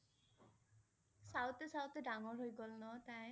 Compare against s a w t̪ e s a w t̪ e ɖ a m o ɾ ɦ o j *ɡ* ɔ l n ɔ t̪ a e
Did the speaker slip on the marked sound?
no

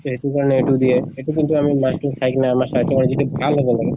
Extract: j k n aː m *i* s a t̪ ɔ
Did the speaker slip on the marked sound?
yes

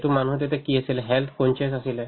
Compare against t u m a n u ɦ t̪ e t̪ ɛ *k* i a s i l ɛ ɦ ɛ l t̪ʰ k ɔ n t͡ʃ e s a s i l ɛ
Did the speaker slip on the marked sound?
no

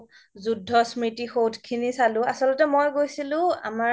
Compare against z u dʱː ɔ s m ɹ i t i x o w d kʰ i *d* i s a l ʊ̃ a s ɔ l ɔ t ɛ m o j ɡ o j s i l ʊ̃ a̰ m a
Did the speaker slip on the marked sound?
yes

